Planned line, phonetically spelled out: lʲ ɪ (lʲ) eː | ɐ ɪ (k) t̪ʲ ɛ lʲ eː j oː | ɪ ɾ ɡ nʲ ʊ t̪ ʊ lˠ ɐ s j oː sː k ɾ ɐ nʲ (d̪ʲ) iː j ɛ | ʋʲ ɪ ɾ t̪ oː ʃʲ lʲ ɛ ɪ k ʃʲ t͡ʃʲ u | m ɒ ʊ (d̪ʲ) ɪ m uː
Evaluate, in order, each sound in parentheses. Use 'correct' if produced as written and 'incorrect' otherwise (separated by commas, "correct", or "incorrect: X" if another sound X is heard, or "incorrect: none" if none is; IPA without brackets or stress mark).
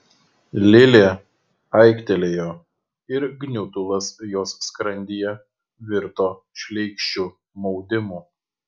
correct, correct, correct, correct